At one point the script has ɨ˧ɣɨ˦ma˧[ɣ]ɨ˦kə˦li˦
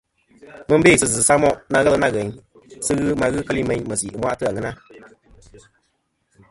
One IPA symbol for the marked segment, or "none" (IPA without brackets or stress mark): ɣ